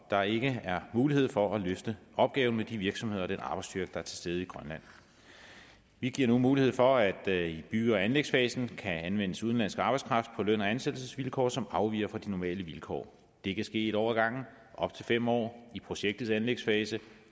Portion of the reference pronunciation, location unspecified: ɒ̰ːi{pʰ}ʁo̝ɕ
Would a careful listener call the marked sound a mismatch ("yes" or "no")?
no